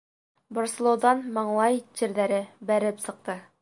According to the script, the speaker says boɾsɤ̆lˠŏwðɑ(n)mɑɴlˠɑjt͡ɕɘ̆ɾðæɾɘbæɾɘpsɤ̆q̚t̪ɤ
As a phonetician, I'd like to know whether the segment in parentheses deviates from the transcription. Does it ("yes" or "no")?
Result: no